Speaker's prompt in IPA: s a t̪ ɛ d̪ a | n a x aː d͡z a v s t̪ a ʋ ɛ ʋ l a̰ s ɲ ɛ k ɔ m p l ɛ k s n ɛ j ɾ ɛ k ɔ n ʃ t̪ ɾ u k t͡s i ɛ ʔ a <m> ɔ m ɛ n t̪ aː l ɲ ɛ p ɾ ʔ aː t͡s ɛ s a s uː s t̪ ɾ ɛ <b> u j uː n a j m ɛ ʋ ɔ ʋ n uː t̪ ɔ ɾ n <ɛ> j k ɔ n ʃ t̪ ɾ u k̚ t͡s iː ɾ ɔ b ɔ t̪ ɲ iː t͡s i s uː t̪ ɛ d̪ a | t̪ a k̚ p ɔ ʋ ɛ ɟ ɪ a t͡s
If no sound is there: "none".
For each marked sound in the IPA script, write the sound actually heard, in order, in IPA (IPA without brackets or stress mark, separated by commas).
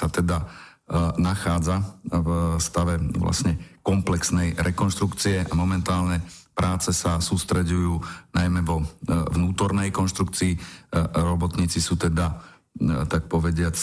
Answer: m, ɟ, ɛ